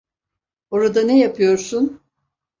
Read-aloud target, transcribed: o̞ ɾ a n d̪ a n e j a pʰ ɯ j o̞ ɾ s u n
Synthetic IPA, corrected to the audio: o̞ ɾ a d̪ a n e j a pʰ ɯ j o̞ ɾ s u n